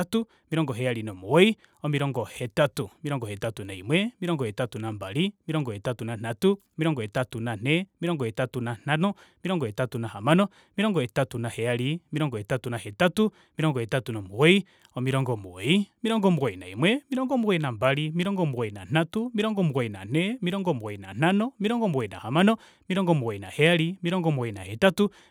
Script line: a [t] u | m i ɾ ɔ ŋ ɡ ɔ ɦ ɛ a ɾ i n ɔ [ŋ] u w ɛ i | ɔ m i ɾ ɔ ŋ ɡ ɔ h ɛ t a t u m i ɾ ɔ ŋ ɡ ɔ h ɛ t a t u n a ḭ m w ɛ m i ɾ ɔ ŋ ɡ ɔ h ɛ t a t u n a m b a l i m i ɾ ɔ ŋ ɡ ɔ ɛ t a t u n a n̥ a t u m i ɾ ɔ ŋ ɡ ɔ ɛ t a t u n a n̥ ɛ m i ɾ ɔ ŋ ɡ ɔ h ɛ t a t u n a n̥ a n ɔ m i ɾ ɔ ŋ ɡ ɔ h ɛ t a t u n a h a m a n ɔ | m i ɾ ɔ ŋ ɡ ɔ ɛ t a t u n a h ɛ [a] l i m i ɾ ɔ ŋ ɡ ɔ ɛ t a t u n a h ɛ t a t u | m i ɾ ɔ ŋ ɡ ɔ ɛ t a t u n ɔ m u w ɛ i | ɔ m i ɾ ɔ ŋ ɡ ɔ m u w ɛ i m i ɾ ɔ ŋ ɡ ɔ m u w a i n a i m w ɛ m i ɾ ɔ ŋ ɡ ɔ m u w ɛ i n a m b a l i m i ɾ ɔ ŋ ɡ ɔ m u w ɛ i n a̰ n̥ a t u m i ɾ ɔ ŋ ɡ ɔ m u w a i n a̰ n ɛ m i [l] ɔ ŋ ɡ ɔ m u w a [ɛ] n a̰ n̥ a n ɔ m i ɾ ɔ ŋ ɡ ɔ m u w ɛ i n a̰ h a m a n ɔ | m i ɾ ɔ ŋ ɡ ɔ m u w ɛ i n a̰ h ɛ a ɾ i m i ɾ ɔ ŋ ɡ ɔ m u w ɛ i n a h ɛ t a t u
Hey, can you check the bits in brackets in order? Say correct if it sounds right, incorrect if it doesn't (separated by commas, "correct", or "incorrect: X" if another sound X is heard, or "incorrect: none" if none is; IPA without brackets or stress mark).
correct, incorrect: m, correct, incorrect: ɾ, incorrect: i